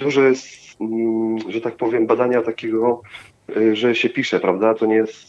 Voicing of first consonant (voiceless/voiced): voiced